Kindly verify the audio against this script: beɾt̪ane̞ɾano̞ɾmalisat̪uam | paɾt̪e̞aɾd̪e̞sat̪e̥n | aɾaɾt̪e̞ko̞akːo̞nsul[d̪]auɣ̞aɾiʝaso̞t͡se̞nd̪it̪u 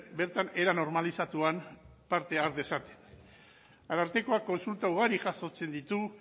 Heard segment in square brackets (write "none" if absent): t̪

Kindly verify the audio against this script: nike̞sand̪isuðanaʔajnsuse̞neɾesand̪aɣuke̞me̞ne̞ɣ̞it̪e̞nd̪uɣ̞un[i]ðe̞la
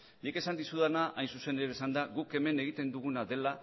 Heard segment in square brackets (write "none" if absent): a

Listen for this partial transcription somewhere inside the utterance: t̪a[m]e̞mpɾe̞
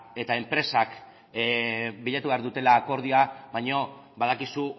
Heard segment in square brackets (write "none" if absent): none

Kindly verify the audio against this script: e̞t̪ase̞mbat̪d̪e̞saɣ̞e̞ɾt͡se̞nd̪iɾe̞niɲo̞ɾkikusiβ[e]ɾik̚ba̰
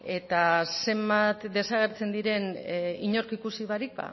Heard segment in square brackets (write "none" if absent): a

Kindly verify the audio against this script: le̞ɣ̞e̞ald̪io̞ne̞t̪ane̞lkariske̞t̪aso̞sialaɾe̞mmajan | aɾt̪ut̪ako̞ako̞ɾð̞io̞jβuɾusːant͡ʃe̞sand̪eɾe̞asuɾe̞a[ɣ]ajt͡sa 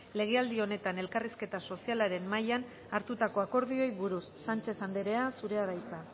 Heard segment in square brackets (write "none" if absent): ð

